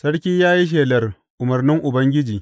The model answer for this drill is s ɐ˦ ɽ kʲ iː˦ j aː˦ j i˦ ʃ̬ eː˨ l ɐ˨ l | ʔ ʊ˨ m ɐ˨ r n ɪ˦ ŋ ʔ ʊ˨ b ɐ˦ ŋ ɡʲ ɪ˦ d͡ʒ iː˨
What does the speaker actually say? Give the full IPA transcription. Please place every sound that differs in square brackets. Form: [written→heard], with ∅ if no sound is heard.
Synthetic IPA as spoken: s ɐ˦ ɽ kʲ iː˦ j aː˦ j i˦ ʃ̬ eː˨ l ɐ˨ [l→r] | ʔ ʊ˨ m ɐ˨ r n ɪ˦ ŋ ʔ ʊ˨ b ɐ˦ ŋ ɡʲ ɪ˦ d͡ʒ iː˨